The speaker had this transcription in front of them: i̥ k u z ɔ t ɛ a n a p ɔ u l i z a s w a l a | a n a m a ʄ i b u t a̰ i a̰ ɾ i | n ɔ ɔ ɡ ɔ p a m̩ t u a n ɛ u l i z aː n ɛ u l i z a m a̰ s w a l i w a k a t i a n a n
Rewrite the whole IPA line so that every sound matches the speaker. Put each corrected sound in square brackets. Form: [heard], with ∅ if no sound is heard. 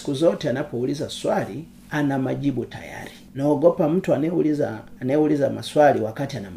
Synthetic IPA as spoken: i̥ k u z ɔ t ɛ a n a p ɔ u l i z a s w a l [i] | a n a m a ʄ i b u t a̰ [j] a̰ ɾ i | n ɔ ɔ ɡ ɔ p a m̩ t u a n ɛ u l i z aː n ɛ u l i z a m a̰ s w a l i w a k a t i a n a [m]